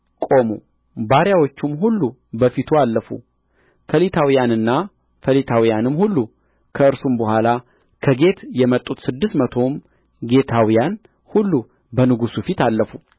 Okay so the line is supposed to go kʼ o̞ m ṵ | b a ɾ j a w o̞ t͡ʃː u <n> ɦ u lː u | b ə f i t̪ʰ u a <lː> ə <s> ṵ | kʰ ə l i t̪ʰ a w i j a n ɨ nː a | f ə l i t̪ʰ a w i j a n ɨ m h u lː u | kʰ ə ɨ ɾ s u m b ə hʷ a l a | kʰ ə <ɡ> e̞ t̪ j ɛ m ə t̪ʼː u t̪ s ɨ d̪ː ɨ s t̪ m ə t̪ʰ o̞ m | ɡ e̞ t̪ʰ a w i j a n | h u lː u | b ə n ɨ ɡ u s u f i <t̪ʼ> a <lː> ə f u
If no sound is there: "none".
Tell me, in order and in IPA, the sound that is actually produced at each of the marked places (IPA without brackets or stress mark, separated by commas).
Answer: m, lː, f, ɡ, t̪, lː